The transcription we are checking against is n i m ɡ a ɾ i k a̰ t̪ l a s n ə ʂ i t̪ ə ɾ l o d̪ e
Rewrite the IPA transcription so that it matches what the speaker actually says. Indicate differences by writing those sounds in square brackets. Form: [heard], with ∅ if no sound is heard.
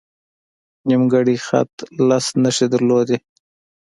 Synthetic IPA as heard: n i m ɡ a [ɽ] i [x] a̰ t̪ l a s n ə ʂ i [d̪] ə ɾ l o d̪ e